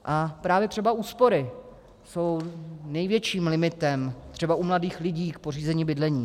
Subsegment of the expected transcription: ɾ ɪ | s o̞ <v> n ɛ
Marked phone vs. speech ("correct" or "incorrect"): incorrect